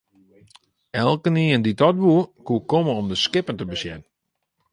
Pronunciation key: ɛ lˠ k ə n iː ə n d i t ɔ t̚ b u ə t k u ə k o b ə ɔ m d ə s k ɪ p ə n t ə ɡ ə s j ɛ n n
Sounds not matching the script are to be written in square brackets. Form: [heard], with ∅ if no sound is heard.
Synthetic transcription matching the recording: ɛ lˠ k ə n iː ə n d i t ɔ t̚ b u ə [∅] k u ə k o [m] ə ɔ m d ə s k ɪ p ə n t ə [b] ə s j ɛ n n

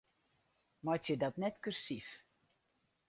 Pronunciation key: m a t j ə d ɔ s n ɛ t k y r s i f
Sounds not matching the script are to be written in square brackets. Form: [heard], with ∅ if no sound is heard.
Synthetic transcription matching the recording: m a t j ə d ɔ [t] n ɛ t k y r s i f

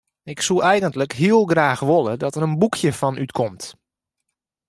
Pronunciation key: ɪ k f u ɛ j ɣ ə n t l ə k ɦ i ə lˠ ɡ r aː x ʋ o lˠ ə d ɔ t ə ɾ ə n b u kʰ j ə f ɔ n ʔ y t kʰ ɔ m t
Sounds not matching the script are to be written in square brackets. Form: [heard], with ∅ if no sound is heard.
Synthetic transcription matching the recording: ɪ k [s] u ɛ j ɣ ə n t l ə k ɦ i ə lˠ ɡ r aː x ʋ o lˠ ə d ɔ t ə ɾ ə n b u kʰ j ə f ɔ n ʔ y t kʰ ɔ m t

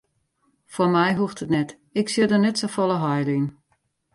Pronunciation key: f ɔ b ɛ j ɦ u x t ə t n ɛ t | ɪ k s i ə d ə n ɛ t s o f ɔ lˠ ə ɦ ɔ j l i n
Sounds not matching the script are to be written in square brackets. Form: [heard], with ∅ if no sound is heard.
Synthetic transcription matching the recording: f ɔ [m] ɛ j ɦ u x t ə t n ɛ t | ɪ k s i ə d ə n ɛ t s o f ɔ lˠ ə ɦ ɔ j l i n

